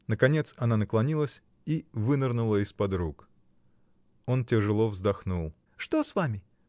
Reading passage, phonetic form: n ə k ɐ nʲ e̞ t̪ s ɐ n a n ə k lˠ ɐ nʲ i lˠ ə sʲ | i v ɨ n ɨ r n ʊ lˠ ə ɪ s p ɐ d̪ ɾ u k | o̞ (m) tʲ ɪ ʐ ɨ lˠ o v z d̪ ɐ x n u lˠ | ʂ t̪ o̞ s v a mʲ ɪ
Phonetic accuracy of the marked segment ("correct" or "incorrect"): incorrect